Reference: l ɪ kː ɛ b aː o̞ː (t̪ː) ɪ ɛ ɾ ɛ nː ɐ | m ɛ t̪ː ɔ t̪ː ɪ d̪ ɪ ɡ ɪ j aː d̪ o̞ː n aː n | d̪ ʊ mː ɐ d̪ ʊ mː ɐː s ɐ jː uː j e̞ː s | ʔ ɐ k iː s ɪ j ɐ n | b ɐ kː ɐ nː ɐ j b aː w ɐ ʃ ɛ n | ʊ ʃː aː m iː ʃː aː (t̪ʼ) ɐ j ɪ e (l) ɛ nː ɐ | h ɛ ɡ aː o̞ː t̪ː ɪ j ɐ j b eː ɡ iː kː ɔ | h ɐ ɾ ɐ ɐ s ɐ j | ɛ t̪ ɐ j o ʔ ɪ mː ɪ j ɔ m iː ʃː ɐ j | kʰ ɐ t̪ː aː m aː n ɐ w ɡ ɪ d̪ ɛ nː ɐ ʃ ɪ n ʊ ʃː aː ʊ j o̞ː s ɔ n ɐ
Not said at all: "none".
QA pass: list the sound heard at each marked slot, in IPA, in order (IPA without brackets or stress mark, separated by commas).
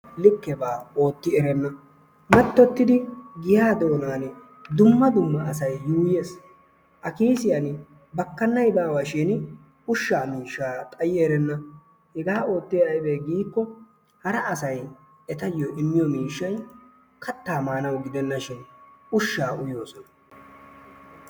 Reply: t̪ː, t̪ʼ, ɾ